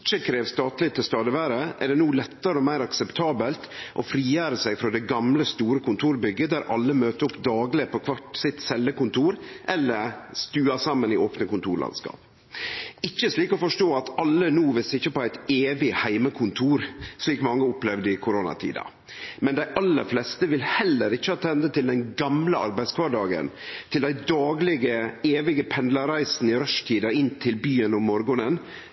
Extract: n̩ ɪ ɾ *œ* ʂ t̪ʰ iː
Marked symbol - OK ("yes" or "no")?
yes